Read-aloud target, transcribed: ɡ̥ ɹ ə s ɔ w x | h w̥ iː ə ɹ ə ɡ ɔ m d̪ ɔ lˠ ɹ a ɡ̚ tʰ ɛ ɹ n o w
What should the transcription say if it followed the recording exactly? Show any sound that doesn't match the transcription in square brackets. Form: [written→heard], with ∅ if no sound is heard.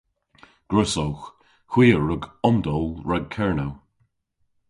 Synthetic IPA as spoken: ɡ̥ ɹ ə s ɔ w x | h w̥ iː ə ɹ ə ɡ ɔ m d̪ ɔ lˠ ɹ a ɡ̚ [tʰ→kʰ] ɛ ɹ n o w